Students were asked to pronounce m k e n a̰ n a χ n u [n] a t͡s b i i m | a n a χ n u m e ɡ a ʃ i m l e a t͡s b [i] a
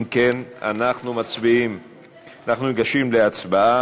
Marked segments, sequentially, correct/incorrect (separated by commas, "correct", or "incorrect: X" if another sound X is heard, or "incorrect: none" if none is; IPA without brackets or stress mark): incorrect: m, incorrect: a